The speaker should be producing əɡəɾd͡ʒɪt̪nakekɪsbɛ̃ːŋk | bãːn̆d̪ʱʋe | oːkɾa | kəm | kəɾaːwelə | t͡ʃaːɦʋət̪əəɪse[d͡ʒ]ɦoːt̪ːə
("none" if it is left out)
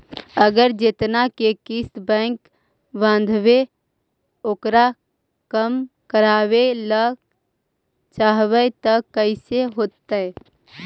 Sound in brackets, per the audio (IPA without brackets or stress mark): none